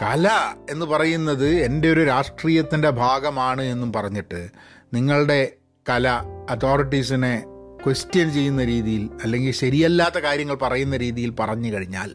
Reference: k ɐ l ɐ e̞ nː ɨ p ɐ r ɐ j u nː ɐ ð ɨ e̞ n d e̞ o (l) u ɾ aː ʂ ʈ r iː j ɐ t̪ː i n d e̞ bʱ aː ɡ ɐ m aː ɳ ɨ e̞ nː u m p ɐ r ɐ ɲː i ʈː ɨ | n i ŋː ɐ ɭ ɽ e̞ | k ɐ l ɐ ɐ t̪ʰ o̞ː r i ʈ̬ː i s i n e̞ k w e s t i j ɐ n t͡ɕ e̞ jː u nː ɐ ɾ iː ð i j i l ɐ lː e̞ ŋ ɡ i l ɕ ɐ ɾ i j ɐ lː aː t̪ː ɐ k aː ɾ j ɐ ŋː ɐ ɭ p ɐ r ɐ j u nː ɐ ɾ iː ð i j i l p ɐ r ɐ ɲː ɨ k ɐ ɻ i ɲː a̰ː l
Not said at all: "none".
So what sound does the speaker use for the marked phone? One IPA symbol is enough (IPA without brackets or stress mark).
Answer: ɾ